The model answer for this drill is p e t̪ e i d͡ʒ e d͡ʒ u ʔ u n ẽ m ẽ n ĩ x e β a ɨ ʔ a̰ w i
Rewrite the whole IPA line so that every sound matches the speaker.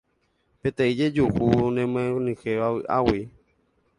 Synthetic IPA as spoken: p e t̪ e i d͡ʒ e d͡ʒ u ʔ u n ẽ m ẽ n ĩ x e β a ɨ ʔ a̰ w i